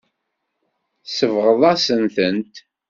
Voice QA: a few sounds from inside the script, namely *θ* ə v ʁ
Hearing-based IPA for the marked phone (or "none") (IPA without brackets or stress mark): s